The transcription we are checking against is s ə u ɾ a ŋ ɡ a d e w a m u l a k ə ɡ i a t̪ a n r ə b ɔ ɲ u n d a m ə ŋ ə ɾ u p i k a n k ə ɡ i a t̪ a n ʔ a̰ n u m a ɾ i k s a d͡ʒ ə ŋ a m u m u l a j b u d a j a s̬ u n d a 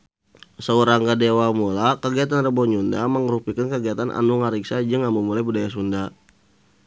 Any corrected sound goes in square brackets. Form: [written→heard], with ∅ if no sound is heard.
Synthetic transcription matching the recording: s ə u ɾ a ŋ ɡ a d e w a m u l a k ə ɡ i a t̪ a n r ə b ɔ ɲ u n d a m ə ŋ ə ɾ u p i k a n k ə ɡ i a t̪ a n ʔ a̰ n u [m→ŋ] a ɾ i k s a d͡ʒ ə ŋ a m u m u l a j b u d a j a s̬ u n d a